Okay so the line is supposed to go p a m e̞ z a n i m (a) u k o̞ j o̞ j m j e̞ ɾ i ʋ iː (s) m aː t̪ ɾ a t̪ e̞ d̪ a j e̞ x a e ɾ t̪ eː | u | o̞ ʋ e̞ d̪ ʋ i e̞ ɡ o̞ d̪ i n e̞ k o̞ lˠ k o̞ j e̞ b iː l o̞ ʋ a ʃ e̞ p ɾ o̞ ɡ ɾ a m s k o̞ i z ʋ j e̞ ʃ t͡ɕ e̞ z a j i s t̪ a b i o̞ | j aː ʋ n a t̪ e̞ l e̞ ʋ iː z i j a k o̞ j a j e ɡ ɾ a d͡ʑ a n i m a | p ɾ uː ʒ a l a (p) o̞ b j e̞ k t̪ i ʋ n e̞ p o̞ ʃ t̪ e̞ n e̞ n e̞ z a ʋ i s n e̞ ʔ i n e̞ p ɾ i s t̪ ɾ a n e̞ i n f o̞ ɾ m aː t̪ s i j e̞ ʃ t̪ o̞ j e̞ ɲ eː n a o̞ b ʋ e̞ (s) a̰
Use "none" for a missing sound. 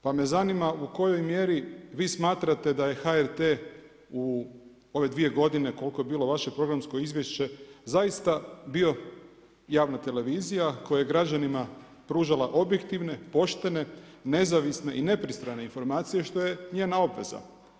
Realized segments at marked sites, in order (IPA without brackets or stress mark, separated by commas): a, s, ʔ, z